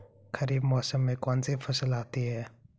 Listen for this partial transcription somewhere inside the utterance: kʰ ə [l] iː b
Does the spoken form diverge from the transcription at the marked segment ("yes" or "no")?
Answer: yes